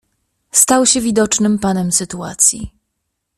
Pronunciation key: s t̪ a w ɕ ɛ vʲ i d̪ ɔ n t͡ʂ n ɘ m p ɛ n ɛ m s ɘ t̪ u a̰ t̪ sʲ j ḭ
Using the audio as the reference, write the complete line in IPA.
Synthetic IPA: s t̪ a w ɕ ɛ vʲ i d̪ ɔ t͡ʂ n ɘ m p a n ɛ m s ɘ t̪ u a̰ t̪ sʲ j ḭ